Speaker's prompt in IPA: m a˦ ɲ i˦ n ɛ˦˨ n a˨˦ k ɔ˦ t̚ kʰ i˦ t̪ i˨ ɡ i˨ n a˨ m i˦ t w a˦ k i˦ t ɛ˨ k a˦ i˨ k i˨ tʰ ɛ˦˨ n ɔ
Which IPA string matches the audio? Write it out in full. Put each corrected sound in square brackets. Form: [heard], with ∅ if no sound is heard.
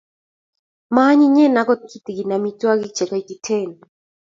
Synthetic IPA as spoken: m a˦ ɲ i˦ [ɲ] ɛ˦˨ n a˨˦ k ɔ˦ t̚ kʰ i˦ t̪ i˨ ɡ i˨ n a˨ m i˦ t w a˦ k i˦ [t͡ʃ] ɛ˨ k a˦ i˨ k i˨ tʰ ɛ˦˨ n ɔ